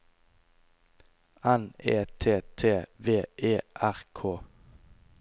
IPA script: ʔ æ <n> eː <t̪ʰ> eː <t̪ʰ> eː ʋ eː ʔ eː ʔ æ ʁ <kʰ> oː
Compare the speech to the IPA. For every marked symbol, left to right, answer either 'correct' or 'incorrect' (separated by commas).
correct, correct, correct, correct